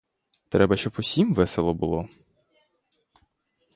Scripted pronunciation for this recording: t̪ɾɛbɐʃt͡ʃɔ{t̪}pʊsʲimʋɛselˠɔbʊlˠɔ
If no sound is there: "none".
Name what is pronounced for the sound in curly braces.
none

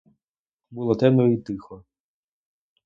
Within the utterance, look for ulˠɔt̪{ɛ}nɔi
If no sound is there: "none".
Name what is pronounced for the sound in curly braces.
ɛ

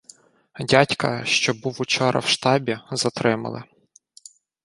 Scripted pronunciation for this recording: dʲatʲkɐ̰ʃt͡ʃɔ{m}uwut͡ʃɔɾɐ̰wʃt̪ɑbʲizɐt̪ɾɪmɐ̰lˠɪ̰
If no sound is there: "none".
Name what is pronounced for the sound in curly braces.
b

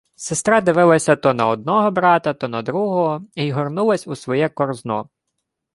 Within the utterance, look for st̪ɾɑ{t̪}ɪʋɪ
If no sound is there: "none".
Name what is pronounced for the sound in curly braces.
d̪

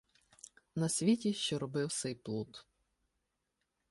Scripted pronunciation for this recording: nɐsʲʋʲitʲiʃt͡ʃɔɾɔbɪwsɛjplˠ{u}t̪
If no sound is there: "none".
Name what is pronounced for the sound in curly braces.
u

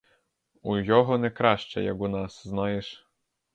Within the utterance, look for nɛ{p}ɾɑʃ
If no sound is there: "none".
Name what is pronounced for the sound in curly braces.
k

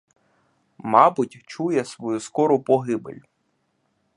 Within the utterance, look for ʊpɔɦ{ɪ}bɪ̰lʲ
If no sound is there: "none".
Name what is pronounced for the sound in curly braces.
ɪ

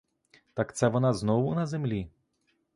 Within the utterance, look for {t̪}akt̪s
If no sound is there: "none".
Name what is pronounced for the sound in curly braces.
t̪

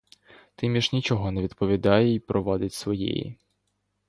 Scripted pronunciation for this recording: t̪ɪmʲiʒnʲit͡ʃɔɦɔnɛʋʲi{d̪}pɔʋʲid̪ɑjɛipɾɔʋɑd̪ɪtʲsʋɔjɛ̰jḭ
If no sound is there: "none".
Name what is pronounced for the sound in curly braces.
d̪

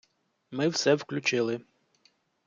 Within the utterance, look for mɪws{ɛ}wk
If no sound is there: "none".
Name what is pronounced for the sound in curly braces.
ɛ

